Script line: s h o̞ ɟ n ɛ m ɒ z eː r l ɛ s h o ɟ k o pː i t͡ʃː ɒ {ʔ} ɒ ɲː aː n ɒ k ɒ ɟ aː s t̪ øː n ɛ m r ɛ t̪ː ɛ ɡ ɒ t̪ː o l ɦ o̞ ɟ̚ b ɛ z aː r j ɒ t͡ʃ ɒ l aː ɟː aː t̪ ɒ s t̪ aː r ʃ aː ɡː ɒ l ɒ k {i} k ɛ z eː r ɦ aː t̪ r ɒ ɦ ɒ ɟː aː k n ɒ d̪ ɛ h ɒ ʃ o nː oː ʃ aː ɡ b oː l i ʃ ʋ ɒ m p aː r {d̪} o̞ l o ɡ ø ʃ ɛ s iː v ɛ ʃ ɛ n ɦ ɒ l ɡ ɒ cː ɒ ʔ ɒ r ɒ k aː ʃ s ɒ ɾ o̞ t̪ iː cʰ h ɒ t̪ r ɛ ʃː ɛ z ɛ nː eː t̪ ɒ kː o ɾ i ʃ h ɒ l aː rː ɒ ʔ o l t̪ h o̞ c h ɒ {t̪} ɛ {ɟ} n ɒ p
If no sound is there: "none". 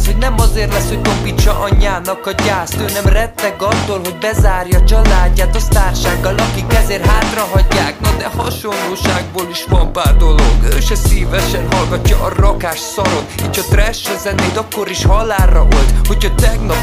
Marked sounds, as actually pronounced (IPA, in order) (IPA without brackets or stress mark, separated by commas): ʔ, i, d̪, t̪, ɡ